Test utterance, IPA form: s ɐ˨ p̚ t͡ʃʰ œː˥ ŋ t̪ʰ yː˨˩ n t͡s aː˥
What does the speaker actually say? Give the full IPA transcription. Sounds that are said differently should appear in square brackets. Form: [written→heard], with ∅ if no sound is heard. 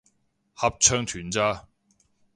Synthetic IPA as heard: [s→h] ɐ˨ p̚ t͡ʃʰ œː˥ ŋ t̪ʰ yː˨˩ n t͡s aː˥